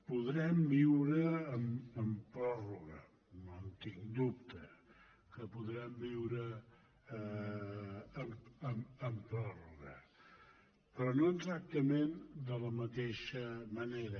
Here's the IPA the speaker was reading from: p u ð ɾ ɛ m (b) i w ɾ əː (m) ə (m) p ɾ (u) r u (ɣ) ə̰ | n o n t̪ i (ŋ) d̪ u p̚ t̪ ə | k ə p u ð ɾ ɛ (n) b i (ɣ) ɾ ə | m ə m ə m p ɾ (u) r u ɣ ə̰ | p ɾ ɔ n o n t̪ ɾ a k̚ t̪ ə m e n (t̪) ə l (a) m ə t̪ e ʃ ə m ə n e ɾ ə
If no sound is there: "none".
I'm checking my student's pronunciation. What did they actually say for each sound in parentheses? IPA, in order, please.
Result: b, m, m, ɔ, ɣ, ŋ, m, w, ɔ, d̪, ə

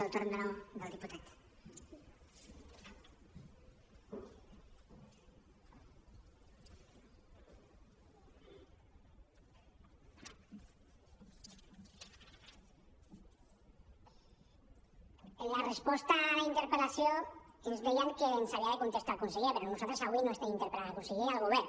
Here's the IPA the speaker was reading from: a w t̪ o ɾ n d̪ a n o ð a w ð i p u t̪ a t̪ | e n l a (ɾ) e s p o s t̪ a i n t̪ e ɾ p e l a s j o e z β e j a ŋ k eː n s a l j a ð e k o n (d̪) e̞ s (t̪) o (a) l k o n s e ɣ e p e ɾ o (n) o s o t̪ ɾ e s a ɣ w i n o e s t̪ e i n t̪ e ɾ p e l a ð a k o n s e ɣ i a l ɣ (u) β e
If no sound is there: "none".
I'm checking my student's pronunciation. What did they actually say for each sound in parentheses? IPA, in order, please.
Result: r, t̪, t̪, a, n, o

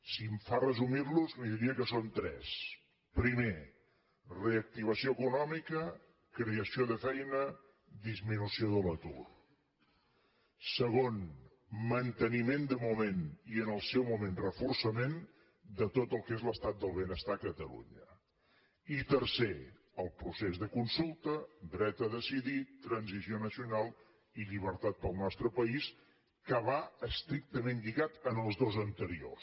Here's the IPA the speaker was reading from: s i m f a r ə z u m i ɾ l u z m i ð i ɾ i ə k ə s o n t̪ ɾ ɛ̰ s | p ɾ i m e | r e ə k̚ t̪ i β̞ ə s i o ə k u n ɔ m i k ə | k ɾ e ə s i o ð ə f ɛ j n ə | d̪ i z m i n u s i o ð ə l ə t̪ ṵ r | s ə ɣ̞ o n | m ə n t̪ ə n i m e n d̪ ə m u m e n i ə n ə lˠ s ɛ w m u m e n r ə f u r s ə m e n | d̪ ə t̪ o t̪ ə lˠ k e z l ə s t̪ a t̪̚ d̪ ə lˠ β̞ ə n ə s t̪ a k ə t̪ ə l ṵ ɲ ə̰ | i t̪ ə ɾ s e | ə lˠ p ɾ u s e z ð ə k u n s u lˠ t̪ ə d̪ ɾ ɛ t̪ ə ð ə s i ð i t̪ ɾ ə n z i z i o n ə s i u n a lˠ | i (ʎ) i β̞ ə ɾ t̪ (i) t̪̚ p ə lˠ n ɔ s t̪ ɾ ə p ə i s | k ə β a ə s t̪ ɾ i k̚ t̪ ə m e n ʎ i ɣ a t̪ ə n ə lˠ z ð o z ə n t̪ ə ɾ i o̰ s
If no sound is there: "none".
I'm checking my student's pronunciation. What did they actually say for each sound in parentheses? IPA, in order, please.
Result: ʎ, a

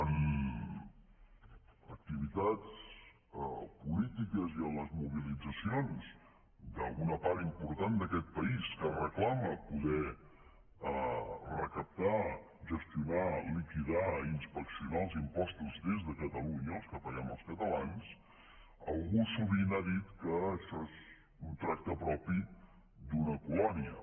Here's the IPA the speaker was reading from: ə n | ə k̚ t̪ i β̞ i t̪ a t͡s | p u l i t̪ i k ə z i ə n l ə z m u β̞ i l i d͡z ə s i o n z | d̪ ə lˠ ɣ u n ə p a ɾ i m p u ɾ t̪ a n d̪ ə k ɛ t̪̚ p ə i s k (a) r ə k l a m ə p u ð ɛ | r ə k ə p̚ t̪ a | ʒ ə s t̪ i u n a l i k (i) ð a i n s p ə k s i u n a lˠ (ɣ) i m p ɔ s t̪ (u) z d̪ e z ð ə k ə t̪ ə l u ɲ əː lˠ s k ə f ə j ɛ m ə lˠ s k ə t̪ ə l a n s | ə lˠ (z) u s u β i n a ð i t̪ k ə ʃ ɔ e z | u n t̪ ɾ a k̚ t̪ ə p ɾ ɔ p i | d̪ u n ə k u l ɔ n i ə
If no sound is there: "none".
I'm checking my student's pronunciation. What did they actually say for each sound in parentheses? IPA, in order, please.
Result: ə, i, z, u, ɣ

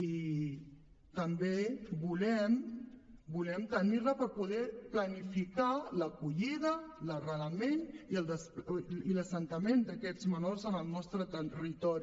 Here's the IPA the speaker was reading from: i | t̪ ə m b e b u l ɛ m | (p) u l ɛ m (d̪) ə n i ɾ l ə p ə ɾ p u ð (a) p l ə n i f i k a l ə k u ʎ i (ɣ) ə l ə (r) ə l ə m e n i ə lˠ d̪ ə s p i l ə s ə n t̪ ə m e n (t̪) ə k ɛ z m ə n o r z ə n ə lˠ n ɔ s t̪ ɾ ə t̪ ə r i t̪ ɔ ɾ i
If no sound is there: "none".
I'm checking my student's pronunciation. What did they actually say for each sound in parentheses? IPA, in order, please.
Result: b, t̪, ɛ, ð, r, d̪

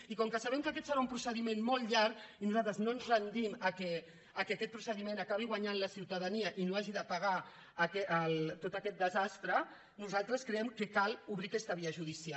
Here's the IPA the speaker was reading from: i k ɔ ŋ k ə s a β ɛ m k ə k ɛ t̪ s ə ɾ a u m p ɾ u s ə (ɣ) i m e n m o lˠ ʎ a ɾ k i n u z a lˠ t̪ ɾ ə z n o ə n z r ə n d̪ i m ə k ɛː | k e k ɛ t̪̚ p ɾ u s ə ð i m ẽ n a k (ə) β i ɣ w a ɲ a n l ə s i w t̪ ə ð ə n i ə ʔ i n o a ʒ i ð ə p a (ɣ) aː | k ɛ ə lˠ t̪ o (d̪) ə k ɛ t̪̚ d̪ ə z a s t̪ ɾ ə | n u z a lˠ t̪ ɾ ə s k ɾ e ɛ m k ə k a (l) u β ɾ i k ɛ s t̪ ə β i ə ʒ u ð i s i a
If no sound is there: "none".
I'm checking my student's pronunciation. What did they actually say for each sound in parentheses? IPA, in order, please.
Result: ð, a, ɣ, t̪, l

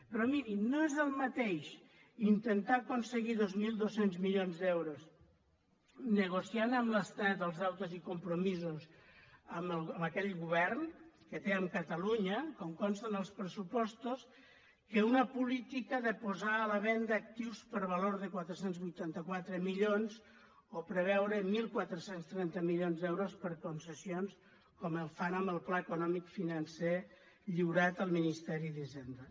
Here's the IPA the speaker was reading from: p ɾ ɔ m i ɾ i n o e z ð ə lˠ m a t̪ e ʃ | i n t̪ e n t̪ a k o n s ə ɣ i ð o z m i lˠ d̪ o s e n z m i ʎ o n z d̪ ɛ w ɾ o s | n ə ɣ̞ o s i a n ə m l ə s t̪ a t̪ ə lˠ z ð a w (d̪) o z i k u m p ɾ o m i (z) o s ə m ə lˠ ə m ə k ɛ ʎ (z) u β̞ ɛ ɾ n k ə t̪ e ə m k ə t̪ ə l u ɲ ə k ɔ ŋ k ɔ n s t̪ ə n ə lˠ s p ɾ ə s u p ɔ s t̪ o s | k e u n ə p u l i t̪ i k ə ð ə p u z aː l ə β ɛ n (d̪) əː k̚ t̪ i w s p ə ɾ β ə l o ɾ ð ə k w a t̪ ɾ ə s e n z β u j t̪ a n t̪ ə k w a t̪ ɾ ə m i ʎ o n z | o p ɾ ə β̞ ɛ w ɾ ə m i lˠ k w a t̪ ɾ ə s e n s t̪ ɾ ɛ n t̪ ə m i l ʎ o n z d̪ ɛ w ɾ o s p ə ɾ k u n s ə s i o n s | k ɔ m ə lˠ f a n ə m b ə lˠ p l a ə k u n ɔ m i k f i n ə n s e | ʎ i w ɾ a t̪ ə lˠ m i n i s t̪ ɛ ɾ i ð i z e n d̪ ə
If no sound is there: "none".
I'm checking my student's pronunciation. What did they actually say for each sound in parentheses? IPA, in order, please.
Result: t̪, z, ɣ, d̪

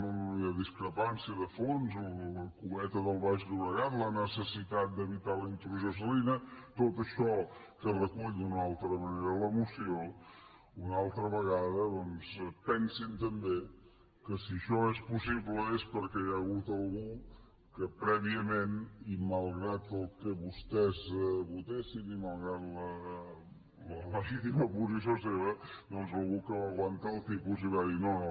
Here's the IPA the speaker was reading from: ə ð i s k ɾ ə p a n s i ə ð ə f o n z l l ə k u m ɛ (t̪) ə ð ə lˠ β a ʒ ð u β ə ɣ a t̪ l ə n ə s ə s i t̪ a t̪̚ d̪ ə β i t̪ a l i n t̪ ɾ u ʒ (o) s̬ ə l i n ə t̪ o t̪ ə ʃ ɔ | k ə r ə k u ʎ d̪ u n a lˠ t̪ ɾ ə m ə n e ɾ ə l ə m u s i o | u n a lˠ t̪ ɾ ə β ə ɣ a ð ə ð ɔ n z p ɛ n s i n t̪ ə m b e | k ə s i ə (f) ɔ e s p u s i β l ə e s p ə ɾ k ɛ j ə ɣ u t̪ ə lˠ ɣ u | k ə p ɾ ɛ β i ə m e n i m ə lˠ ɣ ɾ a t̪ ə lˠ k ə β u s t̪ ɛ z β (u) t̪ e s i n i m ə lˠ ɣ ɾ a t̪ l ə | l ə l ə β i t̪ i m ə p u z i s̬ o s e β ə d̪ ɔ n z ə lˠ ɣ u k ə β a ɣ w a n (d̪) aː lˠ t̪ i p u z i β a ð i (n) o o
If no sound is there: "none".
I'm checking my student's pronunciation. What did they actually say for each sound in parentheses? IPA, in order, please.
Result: t̪, o, ʃ, u, t̪, n

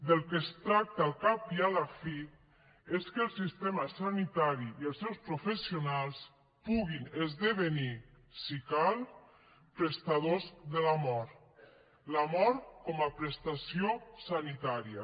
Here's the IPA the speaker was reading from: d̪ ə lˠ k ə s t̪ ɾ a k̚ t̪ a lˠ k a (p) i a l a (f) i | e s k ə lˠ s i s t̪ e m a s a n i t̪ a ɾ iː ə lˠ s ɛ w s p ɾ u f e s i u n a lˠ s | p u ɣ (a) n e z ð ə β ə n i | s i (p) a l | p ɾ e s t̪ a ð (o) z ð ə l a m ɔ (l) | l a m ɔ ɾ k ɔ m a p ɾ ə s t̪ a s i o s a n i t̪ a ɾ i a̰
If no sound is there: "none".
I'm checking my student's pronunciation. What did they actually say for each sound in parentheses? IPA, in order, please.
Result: p, f, i, k, o, ɾ

